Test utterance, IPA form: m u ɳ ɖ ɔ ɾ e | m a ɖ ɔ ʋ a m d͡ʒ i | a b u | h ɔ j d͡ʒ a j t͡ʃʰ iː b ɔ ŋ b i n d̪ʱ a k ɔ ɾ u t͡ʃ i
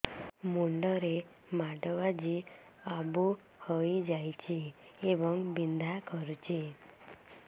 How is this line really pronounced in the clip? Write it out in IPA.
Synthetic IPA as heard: m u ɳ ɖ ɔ ɾ e | m a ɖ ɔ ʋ a d͡ʒ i | a b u | h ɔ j d͡ʒ a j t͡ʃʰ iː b ɔ ŋ b i n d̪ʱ a k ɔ ɾ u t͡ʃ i